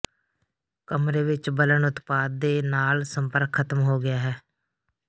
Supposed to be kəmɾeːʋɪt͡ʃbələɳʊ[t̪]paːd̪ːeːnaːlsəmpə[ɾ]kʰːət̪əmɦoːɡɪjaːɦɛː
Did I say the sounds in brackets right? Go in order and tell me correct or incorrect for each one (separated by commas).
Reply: correct, correct